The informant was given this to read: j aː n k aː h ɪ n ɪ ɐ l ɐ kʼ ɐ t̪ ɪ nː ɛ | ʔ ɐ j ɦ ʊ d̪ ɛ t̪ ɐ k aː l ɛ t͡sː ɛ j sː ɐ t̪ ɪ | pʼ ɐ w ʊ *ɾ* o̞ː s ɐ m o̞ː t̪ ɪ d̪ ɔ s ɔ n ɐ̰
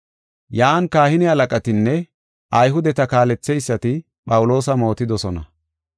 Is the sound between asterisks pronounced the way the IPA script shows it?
no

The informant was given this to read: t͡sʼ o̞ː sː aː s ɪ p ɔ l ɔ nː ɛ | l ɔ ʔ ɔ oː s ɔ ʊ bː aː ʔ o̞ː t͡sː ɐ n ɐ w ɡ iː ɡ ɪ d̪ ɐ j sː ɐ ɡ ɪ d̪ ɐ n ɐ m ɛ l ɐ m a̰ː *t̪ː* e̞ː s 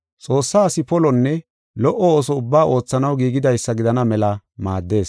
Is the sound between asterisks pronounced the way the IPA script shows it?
no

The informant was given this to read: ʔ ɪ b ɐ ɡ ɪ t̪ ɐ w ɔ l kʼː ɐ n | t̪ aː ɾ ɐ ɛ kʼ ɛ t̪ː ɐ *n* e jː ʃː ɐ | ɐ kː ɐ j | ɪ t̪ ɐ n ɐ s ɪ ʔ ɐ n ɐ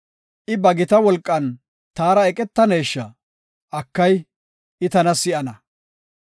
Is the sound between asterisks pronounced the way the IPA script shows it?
yes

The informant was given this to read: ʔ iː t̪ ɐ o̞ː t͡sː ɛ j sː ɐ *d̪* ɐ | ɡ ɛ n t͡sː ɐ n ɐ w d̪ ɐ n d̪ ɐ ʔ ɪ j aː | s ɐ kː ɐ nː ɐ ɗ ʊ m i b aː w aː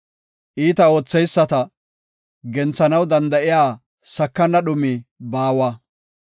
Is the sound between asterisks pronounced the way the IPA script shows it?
no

